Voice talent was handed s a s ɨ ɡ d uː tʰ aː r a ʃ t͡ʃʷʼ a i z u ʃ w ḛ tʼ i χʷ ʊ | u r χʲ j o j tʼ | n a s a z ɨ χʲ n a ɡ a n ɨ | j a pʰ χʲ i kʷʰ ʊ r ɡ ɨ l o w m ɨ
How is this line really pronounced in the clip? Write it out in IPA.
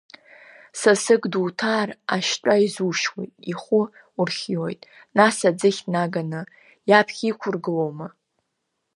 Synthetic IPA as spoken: s a s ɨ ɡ d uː tʰ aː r a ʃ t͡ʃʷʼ a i z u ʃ w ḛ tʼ i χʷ ʊ | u r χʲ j o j tʼ | n a s a d͡z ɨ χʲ n a ɡ a n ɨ | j a pʰ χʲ i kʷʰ ʊ r ɡ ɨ l o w m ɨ